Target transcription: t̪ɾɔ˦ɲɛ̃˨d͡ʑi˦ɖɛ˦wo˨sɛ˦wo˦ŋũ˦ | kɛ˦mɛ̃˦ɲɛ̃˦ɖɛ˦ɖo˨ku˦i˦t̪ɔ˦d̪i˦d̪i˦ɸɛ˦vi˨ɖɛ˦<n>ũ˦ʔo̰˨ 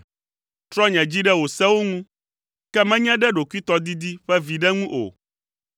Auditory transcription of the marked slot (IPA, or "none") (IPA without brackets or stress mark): ŋ